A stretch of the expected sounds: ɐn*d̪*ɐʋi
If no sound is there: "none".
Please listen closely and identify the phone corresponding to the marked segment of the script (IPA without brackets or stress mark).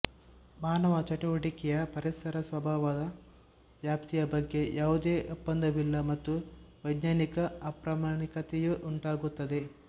d̪